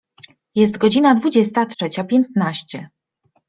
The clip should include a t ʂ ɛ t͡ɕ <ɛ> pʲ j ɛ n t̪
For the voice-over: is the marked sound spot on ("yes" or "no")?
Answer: no